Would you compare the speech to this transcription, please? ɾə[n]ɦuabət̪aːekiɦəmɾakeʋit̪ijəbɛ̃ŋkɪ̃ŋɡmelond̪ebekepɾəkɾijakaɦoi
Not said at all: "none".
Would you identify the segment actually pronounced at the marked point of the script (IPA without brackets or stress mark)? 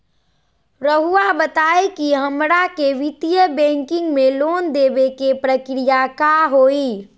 none